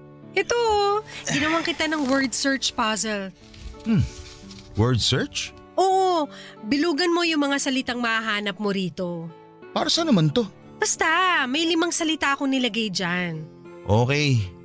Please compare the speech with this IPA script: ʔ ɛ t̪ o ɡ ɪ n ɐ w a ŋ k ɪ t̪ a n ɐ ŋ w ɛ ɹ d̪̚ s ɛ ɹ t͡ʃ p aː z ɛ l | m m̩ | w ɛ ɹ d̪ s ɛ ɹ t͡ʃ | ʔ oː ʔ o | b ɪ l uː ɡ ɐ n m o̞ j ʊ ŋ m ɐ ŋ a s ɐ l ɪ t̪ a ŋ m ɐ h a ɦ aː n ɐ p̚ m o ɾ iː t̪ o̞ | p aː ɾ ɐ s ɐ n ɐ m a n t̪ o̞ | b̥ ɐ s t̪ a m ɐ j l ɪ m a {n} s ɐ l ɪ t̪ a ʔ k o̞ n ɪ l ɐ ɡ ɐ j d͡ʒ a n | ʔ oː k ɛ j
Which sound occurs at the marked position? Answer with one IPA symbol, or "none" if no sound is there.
ŋ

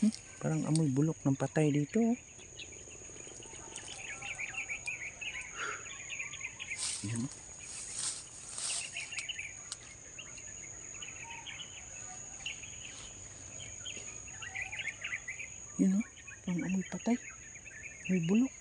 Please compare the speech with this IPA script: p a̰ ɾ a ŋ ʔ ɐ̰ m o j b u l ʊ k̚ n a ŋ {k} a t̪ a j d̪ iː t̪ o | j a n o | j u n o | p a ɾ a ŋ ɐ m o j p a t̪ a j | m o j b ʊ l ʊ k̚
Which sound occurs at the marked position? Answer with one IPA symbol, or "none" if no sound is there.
p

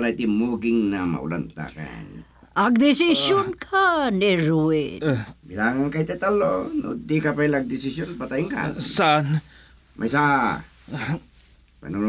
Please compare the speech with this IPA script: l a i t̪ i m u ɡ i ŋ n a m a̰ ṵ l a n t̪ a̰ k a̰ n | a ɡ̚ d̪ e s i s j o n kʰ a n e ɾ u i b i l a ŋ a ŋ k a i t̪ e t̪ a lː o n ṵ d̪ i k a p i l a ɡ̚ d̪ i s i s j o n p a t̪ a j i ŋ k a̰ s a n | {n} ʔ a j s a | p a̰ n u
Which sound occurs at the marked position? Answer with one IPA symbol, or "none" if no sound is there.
m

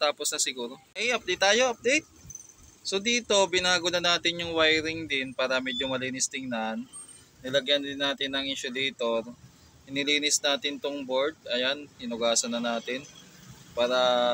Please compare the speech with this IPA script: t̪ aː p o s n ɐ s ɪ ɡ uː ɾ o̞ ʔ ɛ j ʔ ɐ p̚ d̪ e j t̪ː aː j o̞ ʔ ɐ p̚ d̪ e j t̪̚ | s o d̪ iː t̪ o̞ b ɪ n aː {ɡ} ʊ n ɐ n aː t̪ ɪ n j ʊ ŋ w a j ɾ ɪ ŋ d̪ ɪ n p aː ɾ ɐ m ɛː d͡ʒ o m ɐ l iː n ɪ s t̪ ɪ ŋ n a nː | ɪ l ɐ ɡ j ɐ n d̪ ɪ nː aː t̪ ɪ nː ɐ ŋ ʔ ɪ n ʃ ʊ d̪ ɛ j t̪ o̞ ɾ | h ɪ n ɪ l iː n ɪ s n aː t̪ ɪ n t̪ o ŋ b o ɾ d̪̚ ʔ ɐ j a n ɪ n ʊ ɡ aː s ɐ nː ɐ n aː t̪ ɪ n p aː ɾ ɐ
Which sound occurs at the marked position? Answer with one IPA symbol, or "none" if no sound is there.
ɡ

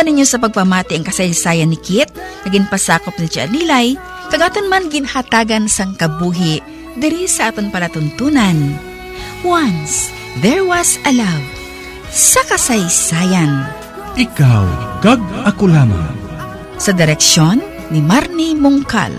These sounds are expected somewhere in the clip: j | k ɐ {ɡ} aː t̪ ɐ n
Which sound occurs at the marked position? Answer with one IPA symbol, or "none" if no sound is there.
ɡ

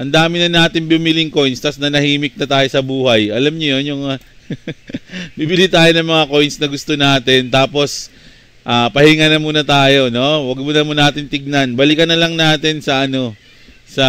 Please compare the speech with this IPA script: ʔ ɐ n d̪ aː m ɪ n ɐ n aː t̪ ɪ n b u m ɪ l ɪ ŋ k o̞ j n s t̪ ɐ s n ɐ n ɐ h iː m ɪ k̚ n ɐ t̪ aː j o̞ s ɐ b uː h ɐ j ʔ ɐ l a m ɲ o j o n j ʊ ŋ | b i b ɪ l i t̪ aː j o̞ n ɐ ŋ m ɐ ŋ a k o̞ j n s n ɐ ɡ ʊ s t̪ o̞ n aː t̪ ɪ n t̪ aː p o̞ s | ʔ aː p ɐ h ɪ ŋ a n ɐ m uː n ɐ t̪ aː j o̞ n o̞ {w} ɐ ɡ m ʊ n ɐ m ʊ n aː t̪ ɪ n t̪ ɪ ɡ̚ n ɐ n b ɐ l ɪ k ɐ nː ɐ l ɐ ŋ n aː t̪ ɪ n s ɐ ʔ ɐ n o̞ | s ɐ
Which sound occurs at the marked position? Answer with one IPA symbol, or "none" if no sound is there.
w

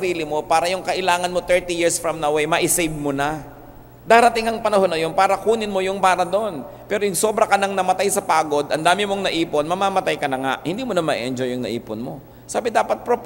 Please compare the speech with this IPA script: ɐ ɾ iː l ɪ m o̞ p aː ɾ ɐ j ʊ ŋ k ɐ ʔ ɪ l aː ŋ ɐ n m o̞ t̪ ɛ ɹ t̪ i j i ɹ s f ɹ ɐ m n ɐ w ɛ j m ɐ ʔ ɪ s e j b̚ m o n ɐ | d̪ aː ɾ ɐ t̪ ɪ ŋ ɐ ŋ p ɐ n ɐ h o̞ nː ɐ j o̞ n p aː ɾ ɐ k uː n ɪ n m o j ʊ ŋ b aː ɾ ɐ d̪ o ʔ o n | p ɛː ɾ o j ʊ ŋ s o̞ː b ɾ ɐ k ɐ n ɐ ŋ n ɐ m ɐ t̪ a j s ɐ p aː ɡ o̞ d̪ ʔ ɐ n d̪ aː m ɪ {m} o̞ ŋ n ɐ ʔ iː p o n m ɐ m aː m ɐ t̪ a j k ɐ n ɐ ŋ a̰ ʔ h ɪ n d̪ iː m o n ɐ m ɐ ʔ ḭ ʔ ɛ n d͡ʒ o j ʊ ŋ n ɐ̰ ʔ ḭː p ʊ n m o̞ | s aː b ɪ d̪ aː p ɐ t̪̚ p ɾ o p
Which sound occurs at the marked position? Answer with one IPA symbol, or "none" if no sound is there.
m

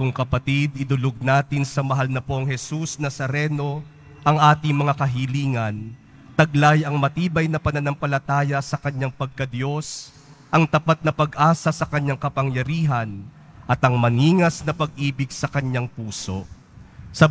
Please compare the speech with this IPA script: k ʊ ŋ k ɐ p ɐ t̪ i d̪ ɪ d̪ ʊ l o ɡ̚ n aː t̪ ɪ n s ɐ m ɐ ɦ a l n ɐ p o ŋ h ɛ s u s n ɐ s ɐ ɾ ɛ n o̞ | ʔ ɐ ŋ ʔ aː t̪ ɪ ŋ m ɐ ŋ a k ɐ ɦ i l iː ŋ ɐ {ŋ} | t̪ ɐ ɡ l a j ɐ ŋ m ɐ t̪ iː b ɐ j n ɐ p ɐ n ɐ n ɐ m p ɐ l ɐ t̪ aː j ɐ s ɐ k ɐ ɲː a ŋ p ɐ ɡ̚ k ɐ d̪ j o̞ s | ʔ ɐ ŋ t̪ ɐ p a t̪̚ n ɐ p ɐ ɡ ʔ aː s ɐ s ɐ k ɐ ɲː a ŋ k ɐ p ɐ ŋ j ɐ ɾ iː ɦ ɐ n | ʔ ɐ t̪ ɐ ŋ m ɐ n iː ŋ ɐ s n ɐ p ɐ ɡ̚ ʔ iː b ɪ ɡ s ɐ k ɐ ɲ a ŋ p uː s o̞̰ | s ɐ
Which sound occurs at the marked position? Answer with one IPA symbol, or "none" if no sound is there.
n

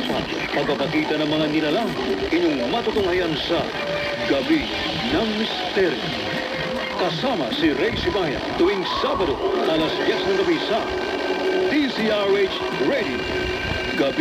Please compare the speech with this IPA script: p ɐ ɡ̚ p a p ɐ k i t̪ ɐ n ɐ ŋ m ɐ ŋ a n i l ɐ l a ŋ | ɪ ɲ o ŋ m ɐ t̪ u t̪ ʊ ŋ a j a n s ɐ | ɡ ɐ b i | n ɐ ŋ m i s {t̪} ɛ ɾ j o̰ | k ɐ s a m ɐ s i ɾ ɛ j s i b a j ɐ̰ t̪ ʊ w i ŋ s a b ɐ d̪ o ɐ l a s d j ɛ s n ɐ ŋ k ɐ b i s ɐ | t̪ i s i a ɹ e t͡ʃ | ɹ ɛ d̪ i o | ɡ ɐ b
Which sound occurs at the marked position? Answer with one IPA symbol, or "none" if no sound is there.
t̪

